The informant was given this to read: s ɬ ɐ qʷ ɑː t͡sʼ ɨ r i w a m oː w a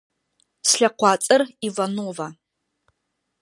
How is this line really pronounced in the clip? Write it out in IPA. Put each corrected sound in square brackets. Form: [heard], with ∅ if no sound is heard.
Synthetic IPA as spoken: s ɬ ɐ qʷ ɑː t͡sʼ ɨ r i [v] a [n] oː [v] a